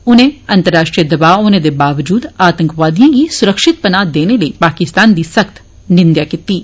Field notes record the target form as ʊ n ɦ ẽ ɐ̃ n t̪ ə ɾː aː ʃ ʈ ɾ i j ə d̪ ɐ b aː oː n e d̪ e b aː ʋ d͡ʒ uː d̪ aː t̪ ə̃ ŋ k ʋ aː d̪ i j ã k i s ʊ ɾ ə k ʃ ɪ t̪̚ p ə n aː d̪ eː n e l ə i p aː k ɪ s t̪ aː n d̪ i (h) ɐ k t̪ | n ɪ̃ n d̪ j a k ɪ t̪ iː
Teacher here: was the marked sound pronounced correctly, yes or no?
no